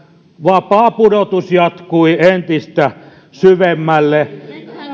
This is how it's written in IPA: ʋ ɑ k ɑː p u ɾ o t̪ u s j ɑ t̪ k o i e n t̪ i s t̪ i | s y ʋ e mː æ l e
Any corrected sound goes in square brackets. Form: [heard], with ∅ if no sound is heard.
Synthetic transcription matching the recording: ʋ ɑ [p] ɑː p u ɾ o t̪ u s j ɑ t̪ k [u] i e n t̪ i s t̪ [æ] | s y ʋ e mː æ [lː] e